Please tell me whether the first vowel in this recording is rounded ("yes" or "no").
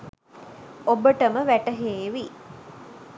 yes